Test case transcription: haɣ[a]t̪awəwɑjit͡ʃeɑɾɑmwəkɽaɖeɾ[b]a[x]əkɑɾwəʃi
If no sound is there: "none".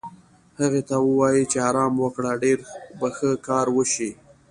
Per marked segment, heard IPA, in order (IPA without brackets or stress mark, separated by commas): e, b, x